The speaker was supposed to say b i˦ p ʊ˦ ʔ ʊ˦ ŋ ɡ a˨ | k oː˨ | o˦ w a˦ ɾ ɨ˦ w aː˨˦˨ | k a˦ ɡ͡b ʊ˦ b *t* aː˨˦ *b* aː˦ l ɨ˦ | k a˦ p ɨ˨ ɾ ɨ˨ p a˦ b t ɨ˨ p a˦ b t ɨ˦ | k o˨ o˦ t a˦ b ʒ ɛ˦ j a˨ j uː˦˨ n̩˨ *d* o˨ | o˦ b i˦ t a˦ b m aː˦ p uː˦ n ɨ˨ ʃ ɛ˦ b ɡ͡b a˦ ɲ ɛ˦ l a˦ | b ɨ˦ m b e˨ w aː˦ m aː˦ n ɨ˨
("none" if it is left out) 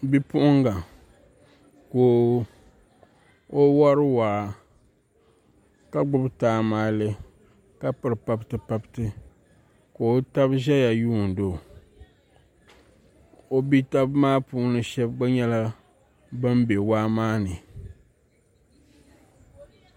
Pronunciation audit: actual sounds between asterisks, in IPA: t, m, d

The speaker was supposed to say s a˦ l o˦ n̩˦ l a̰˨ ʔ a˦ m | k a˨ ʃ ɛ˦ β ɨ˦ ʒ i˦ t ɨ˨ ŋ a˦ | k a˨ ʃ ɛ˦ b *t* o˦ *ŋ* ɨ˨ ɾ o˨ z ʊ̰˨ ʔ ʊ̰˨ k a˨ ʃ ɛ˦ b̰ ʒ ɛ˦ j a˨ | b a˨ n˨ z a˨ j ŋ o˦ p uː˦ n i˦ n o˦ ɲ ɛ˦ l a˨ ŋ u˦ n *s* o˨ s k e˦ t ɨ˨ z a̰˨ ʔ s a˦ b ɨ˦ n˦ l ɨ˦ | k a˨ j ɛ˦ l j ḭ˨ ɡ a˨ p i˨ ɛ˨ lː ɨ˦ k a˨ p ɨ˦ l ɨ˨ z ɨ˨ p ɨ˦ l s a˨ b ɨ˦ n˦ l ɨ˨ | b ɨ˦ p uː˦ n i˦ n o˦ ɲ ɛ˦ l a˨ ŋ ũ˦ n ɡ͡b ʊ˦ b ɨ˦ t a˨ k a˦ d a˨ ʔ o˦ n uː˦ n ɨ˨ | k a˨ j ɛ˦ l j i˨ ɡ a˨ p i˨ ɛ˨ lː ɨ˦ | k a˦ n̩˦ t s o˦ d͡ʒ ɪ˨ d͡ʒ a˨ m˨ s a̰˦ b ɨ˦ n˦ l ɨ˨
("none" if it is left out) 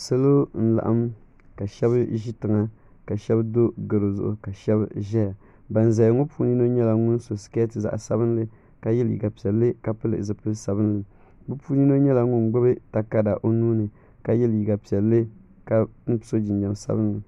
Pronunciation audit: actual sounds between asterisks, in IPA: d, ɡ, s

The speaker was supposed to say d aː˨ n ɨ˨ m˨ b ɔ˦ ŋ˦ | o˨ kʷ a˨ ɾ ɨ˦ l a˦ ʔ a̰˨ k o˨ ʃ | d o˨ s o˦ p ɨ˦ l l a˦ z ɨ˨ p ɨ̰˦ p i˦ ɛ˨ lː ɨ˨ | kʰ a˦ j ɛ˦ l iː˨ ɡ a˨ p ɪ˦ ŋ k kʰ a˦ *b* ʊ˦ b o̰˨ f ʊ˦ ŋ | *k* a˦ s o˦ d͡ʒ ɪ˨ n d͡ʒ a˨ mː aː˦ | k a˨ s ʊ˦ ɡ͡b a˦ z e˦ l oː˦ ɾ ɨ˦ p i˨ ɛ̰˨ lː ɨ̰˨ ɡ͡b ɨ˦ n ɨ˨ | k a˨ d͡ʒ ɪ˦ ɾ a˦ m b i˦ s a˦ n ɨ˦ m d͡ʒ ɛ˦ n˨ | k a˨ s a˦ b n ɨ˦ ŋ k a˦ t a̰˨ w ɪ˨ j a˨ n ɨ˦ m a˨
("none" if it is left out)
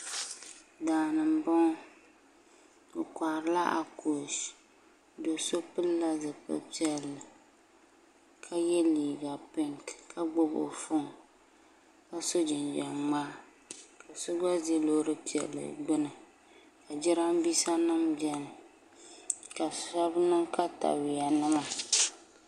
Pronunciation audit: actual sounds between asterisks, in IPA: ɡ͡b, k

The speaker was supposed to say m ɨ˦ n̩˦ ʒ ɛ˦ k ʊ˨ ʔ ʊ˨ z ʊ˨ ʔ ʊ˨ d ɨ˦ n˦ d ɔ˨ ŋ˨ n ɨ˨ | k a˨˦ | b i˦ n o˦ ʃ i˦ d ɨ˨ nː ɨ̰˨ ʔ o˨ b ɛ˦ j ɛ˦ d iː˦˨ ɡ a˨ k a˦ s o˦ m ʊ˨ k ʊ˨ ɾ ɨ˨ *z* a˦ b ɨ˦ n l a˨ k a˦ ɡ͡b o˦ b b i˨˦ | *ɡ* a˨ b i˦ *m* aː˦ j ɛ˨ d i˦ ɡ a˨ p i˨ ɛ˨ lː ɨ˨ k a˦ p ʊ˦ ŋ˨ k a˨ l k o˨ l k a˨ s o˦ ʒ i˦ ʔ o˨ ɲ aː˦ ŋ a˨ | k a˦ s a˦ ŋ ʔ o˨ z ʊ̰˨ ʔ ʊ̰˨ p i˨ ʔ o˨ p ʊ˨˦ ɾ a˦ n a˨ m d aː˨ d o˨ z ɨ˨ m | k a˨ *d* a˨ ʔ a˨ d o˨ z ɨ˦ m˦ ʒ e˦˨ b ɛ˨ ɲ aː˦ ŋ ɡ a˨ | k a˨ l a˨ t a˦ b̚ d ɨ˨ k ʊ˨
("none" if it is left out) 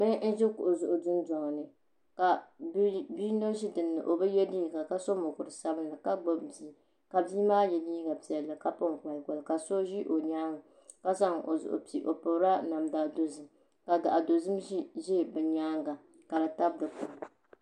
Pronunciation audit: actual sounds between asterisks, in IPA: s, k, m, d

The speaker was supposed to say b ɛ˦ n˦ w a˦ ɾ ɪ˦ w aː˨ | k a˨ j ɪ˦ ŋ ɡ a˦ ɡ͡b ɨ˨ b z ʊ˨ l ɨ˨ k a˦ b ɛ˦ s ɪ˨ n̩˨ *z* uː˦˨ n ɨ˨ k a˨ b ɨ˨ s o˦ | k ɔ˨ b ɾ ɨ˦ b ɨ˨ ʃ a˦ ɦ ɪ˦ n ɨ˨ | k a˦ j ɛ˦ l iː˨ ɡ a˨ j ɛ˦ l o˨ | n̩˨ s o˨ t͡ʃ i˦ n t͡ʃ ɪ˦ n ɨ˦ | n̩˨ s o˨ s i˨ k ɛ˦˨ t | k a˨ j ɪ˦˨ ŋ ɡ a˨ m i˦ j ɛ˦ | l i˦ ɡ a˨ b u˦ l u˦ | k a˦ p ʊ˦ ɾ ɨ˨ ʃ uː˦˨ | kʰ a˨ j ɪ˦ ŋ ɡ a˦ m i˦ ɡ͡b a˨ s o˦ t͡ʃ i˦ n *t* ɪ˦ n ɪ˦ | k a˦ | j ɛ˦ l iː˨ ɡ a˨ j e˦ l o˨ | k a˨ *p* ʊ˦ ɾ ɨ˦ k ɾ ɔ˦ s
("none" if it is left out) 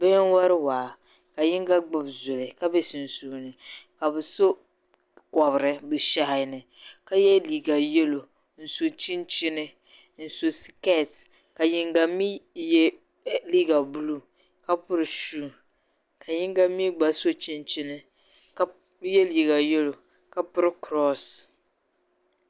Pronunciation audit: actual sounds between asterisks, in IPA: s, t͡ʃ, p

